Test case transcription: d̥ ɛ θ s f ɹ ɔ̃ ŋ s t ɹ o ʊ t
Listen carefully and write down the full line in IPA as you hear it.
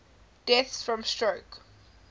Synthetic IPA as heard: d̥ ɛ θ s f ɹ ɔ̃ m s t ɹ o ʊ k